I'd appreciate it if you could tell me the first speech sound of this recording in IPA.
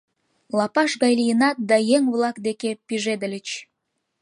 l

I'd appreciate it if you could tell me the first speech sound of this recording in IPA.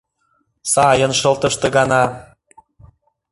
s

